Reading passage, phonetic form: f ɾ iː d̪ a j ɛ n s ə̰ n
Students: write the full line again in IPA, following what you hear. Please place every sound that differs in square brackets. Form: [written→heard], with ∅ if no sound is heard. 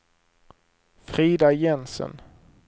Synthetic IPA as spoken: f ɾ iː d̪ a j ɛ n s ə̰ n